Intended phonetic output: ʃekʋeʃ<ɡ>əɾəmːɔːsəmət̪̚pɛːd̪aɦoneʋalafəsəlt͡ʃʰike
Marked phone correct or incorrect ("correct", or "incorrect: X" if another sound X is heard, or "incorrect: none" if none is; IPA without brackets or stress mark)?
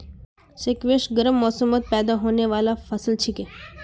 correct